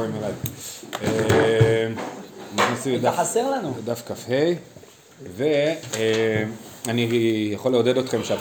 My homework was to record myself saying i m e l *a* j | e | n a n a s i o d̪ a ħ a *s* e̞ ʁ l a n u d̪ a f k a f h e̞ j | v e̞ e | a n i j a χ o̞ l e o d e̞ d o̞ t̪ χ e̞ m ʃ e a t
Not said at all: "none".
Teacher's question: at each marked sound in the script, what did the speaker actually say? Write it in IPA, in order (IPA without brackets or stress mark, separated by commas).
a, s